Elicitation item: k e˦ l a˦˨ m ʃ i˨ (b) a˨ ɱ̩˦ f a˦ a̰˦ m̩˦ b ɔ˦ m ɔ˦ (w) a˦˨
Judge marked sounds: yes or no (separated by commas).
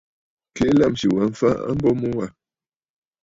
no, yes